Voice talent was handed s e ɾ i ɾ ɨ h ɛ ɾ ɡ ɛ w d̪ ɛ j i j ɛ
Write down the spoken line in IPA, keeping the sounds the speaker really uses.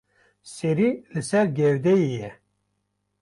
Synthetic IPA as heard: s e ɾ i l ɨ s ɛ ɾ ɡ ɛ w d̪ ɛ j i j ɛ